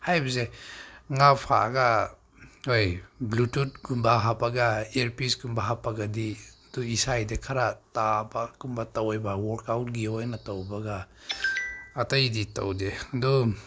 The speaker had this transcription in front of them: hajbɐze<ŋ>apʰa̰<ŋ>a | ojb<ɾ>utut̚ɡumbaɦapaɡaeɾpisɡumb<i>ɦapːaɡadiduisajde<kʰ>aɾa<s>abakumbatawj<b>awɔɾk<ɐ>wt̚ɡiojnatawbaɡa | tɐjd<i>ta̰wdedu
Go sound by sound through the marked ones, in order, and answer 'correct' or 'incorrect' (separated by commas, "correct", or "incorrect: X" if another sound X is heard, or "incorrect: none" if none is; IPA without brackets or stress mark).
correct, incorrect: ɡ, incorrect: l, incorrect: a, correct, incorrect: t, correct, incorrect: a, correct